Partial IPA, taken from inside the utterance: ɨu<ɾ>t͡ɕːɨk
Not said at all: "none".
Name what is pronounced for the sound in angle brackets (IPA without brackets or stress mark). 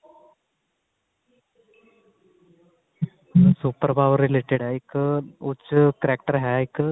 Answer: none